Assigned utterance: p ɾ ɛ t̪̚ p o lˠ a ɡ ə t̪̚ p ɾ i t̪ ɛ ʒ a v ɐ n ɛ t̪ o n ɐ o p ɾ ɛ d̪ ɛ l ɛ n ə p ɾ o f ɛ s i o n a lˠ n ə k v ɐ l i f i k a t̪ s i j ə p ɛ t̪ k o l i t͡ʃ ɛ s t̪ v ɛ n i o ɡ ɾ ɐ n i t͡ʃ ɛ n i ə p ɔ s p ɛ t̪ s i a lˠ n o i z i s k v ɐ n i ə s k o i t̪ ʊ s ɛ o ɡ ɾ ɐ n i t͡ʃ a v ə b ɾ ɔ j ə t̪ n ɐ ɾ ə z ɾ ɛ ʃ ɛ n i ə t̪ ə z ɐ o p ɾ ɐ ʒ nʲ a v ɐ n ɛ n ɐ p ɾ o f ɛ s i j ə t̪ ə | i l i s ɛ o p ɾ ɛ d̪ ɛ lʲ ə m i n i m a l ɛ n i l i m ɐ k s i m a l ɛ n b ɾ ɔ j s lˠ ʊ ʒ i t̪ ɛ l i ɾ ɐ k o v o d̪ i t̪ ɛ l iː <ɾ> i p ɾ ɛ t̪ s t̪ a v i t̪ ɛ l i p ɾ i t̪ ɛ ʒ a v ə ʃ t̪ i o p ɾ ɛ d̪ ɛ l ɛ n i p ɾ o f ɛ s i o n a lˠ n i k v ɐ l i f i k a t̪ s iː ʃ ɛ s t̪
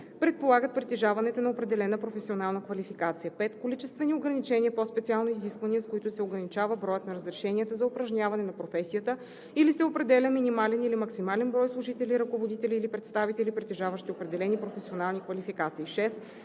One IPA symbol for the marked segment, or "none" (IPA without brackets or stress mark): l